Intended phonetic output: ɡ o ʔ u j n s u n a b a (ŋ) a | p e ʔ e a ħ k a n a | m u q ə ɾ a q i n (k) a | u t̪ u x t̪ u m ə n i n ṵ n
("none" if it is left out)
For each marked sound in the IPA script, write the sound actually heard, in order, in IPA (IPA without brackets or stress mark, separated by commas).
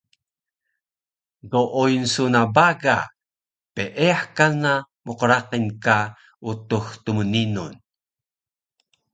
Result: ɡ, k